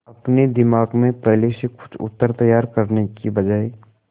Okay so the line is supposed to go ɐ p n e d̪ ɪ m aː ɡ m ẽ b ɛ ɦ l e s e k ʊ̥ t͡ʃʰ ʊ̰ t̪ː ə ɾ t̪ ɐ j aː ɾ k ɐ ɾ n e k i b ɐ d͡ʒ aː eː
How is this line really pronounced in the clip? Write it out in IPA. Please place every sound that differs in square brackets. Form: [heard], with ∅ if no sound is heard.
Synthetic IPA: ɐ p n e d̪ ɪ m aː ɡ m ẽ [p] ɛ ɦ l e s e k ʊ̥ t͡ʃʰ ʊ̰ t̪ː ə ɾ t̪ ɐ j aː ɾ k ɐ ɾ n e k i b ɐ d͡ʒ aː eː